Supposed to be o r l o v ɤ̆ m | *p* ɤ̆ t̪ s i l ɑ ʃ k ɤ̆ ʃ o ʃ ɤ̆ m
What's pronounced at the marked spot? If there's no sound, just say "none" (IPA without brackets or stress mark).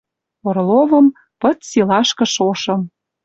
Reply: p